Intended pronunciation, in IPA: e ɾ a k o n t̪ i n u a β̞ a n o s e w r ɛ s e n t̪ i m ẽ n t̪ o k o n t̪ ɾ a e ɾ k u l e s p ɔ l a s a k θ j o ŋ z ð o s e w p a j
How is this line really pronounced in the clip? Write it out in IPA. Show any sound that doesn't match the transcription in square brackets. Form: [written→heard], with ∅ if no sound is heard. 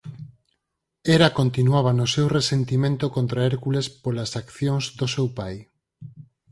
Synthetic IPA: e ɾ a k o n t̪ i n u a β̞ a n o s e w r [ɛ→e] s e n t̪ i m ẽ n t̪ o k o n t̪ ɾ a e ɾ k u l e s p [ɔ→o] l a s a k θ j o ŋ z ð o s e w p a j